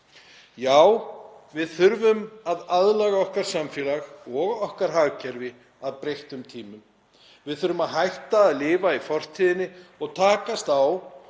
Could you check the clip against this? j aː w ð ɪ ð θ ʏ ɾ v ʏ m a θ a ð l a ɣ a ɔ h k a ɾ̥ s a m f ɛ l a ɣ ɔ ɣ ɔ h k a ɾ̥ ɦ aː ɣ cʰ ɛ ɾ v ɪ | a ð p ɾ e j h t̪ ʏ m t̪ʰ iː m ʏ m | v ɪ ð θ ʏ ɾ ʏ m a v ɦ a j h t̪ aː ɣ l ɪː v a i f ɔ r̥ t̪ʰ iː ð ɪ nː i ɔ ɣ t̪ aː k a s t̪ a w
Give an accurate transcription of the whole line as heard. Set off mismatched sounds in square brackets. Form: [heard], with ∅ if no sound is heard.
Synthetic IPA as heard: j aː w [v] ɪ ð θ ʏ ɾ v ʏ m a [ð] a ð l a ɣ a ɔ h k a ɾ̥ s a m f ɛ l a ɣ ɔ ɣ ɔ h k a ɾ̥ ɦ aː ɣ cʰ ɛ ɾ v ɪ | a ð p ɾ e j h t̪ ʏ m t̪ʰ iː m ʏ m | v ɪ ð θ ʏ ɾ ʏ m a [ð] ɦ a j h t̪ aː [ð] l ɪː v a i f ɔ r̥ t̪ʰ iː ð ɪ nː [ɪ] ɔ ɣ [t̪ʰ] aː k a s t̪ a w